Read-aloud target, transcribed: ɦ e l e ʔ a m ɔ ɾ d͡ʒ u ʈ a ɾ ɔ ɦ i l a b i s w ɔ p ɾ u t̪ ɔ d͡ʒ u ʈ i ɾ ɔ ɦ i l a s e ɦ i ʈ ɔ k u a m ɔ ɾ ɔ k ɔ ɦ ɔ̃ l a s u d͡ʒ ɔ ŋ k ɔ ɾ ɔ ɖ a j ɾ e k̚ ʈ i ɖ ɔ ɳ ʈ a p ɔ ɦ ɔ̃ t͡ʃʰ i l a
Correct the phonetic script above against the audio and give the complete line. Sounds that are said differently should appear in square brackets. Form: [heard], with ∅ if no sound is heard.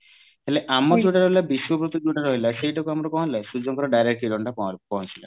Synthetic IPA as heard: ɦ e l e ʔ a m ɔ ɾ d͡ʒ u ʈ a ɾ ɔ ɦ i l a b i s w ɔ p ɾ u t̪ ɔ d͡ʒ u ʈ [a] ɾ ɔ ɦ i l a s e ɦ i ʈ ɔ k u a m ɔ ɾ ɔ k ɔ ɦ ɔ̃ l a s u d͡ʒ ɔ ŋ k ɔ ɾ ɔ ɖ a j ɾ e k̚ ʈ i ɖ ɔ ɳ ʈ a p ɔ ɦ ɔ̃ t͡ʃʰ i l a